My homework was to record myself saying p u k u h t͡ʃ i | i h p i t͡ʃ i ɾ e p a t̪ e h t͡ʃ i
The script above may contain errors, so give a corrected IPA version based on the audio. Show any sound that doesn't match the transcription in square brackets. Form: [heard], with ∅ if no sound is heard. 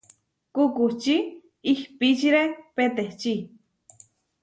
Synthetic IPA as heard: [k] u k u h t͡ʃ i | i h p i t͡ʃ i ɾ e p [e] t̪ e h t͡ʃ i